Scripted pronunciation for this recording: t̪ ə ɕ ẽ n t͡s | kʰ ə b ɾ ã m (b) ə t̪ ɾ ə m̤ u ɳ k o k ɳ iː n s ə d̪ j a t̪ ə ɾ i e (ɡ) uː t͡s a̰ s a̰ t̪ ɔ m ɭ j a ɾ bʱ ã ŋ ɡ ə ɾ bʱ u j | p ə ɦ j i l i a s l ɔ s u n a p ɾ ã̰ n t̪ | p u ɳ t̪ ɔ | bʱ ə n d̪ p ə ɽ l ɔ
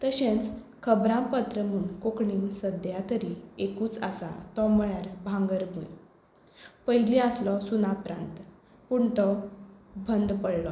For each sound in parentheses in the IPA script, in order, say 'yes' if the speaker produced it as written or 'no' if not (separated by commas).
no, no